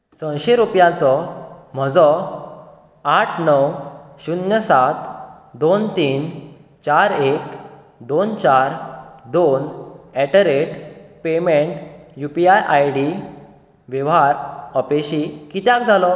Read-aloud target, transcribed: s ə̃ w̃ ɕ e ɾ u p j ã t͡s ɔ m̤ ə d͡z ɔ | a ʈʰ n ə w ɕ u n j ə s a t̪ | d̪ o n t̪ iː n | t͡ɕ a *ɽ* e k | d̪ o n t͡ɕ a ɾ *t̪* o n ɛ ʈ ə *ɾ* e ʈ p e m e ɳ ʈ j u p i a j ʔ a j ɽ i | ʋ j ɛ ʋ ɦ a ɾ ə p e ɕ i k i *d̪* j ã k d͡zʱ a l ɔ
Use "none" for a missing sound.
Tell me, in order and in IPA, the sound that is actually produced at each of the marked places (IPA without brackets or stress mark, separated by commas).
ɾ, d̪, ɾ, t̪